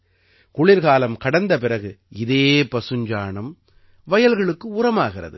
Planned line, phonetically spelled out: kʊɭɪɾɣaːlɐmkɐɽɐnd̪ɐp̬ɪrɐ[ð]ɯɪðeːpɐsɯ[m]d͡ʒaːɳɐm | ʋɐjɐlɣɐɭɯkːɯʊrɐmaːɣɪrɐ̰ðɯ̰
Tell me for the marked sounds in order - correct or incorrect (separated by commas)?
incorrect, incorrect